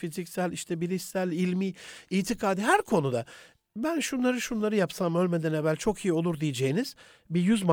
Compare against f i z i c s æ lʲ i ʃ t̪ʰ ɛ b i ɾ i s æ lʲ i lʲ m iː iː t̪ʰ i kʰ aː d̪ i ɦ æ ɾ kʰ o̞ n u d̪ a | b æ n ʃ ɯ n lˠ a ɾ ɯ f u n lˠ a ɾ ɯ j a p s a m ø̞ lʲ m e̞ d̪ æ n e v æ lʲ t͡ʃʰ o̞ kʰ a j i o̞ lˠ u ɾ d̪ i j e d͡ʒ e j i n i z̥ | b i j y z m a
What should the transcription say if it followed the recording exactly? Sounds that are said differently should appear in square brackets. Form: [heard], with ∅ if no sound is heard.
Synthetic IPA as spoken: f i z i c s æ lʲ i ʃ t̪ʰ ɛ b i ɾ i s æ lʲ i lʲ m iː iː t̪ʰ i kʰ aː d̪ i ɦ æ ɾ kʰ o̞ n u d̪ a | b æ n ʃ [u] n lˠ a ɾ ɯ [ʃ] u n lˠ a ɾ ɯ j a p s a m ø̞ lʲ m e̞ d̪ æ n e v æ lʲ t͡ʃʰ o̞ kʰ [i] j i o̞ lˠ u ɾ d̪ i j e d͡ʒ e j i n i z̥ | b i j y z m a